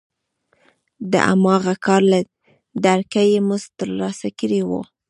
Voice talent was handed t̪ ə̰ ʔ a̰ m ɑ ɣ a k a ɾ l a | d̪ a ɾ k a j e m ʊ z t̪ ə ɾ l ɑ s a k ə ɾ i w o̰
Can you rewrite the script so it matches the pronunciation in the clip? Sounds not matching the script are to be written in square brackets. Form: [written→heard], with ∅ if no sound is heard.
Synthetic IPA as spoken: [t̪→d̪] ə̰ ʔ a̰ m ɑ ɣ a k [a→ɑ] ɾ l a | d̪ a ɾ k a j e m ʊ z t̪ ə ɾ l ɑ s a k ə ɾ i w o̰